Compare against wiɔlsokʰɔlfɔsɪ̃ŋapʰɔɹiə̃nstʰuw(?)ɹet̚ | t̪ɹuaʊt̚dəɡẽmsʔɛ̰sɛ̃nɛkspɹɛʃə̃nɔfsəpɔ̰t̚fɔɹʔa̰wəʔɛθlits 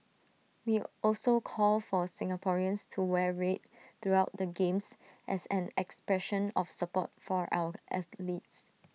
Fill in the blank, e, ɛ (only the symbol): ɛ